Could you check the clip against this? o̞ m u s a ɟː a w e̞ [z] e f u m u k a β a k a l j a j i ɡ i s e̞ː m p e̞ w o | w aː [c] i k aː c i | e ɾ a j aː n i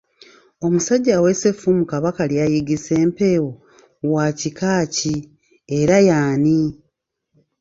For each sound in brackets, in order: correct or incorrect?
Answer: incorrect, correct

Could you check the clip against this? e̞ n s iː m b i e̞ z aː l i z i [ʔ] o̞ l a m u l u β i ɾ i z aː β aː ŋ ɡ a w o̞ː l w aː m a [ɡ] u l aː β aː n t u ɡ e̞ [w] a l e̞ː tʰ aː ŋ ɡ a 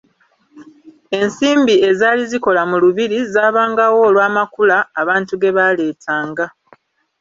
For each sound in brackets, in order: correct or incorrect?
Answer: incorrect, incorrect, incorrect

